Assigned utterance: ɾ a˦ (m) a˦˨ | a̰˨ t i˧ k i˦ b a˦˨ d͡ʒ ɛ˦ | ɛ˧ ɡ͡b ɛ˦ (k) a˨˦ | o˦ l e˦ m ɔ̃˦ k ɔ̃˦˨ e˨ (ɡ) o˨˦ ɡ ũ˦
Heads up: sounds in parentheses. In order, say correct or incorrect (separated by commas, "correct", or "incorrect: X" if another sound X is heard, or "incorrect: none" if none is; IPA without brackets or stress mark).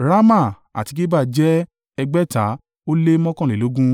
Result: correct, incorrect: t, incorrect: none